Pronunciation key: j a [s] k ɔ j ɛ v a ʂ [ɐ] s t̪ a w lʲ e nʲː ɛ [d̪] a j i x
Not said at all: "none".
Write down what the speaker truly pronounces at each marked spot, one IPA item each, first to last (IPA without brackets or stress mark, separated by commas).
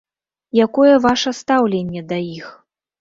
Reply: none, ɐ, d̪